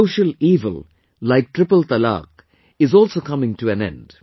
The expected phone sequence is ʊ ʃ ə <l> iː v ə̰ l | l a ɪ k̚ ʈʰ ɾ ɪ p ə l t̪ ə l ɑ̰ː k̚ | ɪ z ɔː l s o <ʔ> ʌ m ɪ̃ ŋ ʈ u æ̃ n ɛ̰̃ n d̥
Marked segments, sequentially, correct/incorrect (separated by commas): correct, incorrect